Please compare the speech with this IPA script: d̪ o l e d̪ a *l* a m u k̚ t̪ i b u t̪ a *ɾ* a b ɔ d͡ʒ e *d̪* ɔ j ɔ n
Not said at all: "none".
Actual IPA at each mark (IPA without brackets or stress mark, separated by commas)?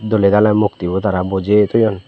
l, ɾ, t̪